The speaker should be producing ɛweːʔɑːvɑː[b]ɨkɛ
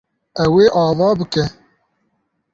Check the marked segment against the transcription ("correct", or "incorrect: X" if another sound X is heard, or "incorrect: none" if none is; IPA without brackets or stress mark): correct